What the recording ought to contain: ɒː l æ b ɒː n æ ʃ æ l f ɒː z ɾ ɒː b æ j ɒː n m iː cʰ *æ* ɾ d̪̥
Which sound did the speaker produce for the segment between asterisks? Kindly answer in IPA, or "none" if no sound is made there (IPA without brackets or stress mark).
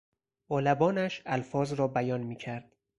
æ